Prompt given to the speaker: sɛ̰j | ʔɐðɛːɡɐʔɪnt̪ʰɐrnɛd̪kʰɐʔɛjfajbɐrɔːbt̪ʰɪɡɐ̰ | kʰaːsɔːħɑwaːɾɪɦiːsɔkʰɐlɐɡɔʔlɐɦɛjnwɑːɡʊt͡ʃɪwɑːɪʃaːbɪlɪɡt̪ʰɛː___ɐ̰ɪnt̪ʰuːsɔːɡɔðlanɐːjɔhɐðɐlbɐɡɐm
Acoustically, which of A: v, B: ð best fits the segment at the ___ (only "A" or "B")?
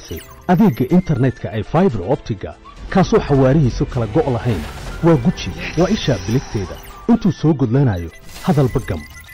B